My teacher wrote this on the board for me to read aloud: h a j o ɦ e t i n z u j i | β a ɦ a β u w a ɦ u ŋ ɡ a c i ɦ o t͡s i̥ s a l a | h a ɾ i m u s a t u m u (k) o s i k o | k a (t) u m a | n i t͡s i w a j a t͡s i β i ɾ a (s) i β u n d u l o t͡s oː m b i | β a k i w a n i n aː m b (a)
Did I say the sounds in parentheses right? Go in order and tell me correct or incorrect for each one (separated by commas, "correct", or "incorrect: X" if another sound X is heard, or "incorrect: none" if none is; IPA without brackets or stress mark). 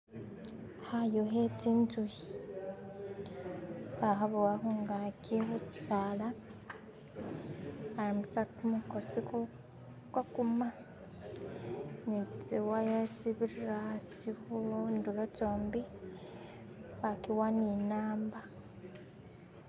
correct, incorrect: k, correct, correct